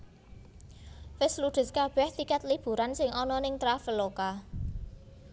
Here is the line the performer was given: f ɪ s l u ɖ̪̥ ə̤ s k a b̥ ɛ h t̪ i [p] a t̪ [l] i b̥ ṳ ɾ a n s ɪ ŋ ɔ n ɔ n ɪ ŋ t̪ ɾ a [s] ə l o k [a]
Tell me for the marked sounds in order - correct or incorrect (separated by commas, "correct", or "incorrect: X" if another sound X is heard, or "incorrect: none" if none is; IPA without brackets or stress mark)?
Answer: incorrect: k, correct, incorrect: f, correct